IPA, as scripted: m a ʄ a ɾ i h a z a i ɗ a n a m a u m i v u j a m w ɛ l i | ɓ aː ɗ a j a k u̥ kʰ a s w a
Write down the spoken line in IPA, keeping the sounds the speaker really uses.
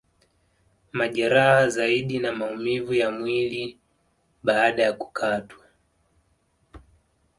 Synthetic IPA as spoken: m a ʄ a ɾ a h a z a i ɗ i n a m a u m i v u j a m w i l i | ɓ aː ɗ a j a k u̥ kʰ a t w a

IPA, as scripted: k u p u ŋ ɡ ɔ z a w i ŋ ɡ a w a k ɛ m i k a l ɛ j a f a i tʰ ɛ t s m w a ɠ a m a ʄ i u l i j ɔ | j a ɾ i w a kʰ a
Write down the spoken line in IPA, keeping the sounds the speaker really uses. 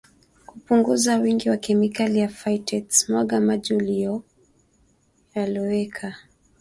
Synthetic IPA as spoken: k u p u ŋ ɡ u z a w i ŋ ɡ i w a k ɛ m i k a l i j a f a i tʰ ɛ t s m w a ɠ a m a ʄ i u l i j ɔ | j a l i w ɛ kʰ a

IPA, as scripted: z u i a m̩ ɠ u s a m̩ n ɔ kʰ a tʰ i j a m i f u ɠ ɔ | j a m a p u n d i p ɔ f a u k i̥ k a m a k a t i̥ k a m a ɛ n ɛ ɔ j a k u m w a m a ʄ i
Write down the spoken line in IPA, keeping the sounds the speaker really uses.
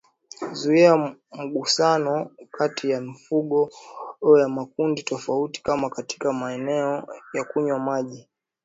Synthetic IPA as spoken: z u i a m̩ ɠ u s a n ɔ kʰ a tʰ i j a m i f u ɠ ɔ | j a m a k u n d i t ɔ f a u t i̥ k a m a k a t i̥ k a m a ɛ n ɛ ɔ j a k u ɲ w a m a ʄ i

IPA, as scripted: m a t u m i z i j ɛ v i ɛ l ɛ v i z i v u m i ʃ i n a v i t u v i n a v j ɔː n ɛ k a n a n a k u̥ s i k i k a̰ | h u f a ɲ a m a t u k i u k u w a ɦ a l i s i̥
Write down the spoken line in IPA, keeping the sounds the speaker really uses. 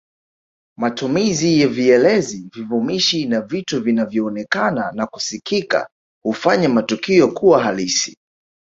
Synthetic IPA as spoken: m a t u m i z i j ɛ v i ɛ l ɛ z i v i v u m i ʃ i n a v i t u v i n a v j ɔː n ɛ k a n a n a k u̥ s i k i k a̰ | h u f a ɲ a m a t u k i ɔ k u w a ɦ a l i s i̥

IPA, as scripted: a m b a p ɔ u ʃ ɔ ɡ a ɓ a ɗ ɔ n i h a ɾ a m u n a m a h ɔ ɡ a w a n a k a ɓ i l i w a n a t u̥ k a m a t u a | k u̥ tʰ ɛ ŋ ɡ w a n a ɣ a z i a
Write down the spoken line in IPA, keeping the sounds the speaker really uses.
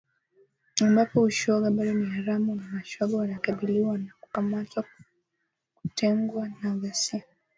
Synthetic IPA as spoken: a m b a p ɔ u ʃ ɔ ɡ a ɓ a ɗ ɔ n i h a ɾ a m u n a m a ʃ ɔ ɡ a w a n a k a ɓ i l i w a n a k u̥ k a m a t w a | k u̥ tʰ ɛ ŋ ɡ w a n a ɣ a s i a

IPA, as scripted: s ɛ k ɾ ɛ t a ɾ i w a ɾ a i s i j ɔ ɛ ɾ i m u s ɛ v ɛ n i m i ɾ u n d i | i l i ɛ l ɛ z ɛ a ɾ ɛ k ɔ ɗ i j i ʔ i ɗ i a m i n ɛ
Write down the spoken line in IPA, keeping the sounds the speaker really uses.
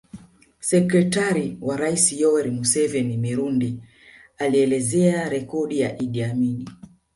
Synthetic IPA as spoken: s ɛ k ɾ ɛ t a ɾ i w a ɾ a i s i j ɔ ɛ ɾ i m u s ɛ v ɛ n i m i ɾ u n d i | a l i ɛ l ɛ z ɛ a ɾ ɛ k ɔ ɗ i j a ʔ i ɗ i a m i n i

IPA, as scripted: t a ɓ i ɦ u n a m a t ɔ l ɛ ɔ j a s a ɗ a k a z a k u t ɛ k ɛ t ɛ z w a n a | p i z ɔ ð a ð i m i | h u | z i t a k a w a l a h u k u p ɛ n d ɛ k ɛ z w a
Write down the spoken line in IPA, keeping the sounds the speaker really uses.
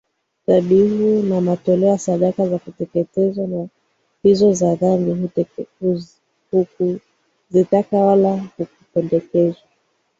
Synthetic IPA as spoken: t a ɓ i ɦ u n a m a t ɔ l ɛ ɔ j a s a ɗ a k a z a k u t ɛ k ɛ t ɛ z w a n a | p i z ɔ z a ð a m i | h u | z i t a k a w a l a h u k u p ɛ n d ɛ k ɛ z w a

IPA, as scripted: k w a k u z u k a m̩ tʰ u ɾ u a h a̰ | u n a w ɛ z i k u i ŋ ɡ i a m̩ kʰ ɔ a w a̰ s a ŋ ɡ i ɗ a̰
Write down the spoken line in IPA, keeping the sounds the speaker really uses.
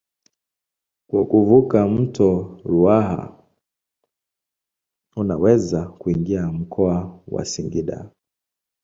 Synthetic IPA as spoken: k w a k u v u k a m̩ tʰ ɔ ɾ u a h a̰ | u n a w ɛ z a k u i ŋ ɡ i a m̩ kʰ ɔ a w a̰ s i ŋ ɡ i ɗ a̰

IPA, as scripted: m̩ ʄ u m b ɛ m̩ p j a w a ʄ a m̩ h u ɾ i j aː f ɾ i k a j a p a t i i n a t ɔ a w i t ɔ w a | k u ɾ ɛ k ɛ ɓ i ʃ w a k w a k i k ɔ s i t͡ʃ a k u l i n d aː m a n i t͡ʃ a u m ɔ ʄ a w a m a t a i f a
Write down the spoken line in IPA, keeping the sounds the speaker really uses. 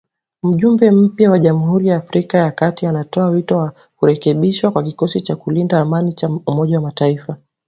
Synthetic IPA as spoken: m̩ ʄ u m b ɛ m̩ p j a w a ʄ a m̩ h u ɾ i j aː f ɾ i k a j a k a t i a n a t ɔ a w i t ɔ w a | k u ɾ ɛ k ɛ ɓ i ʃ w a k w a k i k ɔ s i t͡ʃ a k u l i n d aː m a n i t͡ʃ a u m ɔ ʄ a w a m a t a i f a

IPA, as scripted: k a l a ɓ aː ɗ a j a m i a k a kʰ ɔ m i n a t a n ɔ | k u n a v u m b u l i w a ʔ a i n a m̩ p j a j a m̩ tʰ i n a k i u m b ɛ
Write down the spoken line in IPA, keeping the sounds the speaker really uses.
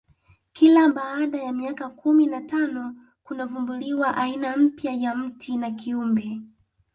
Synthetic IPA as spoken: k i l a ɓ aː ɗ a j a m i a k a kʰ u m i n a t a n ɔ | k u n a v u m b u l i w a ʔ a i n a m̩ p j a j a m̩ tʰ i n a k i u m b ɛ

